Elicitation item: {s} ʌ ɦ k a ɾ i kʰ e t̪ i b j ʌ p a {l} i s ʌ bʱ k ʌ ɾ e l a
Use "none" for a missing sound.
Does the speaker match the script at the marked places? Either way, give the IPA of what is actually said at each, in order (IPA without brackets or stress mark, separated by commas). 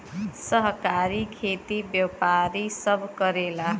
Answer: s, ɾ